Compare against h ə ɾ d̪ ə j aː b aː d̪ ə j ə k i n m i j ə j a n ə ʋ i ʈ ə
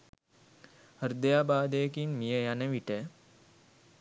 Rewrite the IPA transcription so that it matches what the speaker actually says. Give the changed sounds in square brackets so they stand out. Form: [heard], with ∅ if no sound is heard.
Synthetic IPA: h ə ɾ d̪ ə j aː b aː d̪ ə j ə k i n m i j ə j a n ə ʋ i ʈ ə